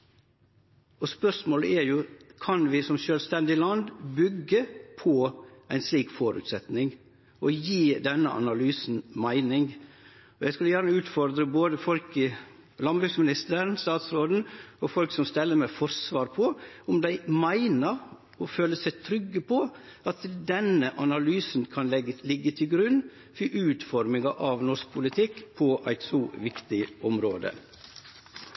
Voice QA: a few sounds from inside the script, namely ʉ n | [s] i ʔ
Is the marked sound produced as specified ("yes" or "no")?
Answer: no